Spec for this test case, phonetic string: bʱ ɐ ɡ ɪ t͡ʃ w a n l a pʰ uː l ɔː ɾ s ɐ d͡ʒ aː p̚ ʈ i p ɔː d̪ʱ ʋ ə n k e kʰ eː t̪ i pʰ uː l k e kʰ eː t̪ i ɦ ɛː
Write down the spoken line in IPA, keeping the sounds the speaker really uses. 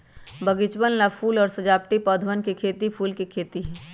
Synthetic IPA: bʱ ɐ ɡ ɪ t͡ʃ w ə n l a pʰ uː l ɔː ɾ s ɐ d͡ʒ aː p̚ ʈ i p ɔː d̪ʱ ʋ ə n k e kʰ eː t̪ i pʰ uː l k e kʰ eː t̪ i ɦ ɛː